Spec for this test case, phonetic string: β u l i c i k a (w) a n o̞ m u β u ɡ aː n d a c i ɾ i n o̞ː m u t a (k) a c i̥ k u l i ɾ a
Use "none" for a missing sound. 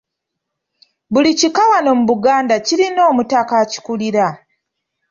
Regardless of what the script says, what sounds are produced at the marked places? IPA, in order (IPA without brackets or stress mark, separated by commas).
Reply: w, k